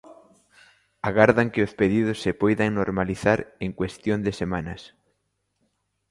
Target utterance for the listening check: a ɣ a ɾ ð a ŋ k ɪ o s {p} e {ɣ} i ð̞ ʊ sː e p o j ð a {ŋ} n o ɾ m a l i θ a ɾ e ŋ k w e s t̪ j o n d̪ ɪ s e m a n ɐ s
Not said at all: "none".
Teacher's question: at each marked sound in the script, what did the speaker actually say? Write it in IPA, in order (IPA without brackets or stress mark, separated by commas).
p, ð, ŋ